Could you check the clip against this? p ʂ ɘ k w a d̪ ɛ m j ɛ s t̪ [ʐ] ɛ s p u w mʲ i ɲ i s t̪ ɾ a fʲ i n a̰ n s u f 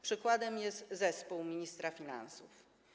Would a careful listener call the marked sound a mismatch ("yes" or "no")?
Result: yes